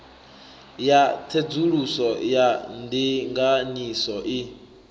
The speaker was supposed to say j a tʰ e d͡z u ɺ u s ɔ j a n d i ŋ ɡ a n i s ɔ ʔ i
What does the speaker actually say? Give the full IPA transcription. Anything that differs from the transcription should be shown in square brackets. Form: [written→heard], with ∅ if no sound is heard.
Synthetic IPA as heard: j a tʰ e d͡z u ɺ u s ɔ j a n d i ŋ ɡ a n i s ɔ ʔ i